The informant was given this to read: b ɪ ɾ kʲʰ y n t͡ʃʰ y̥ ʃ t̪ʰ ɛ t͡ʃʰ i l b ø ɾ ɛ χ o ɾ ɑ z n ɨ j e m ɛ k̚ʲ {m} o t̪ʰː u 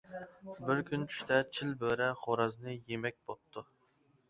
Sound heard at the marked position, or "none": b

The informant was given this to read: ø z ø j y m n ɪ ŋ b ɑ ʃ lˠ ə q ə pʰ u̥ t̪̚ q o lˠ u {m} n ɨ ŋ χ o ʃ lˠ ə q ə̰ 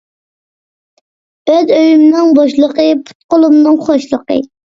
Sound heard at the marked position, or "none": m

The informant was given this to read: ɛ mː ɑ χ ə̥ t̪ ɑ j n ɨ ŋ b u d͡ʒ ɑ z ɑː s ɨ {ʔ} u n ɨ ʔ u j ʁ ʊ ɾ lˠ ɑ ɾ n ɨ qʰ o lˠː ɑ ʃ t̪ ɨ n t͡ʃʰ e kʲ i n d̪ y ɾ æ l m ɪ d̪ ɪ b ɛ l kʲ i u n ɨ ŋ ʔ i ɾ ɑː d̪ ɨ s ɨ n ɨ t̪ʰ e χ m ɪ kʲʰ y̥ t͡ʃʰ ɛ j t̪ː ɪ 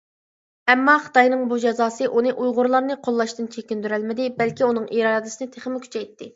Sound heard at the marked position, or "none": ʔ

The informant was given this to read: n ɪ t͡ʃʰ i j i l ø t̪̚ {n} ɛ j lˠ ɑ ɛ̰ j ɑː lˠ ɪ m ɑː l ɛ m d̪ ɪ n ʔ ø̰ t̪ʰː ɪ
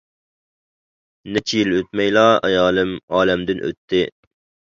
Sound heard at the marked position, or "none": m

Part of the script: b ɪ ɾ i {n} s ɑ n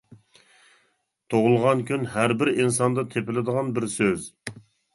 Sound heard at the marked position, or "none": n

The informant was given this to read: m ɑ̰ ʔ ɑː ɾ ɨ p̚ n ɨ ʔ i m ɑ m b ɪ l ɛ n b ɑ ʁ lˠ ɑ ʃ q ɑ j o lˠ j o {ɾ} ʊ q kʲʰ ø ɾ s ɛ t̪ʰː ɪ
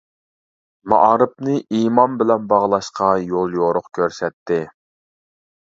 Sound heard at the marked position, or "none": ɾ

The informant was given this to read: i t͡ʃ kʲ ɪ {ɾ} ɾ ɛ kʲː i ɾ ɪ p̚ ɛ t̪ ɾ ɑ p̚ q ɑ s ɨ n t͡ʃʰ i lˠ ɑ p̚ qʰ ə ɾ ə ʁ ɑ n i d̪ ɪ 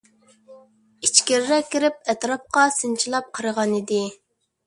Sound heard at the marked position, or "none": ɾ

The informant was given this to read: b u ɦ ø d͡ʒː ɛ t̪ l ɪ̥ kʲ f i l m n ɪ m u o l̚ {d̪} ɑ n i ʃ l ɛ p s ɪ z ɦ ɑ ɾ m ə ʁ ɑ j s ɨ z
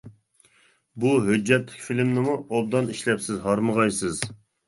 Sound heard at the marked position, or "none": d̪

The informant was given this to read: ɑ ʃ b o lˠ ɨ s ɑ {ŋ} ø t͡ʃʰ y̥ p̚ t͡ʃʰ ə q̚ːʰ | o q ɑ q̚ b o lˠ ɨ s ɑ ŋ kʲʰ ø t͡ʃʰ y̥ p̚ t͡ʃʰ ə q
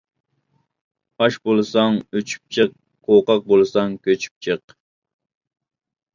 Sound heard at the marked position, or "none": ŋ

